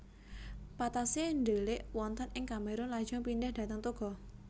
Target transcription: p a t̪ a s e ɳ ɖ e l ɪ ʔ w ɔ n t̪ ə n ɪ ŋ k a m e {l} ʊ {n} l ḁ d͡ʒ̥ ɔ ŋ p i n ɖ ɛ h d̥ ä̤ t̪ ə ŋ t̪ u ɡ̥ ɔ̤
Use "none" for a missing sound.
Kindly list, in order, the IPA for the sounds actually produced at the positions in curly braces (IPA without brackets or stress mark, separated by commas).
ɾ, n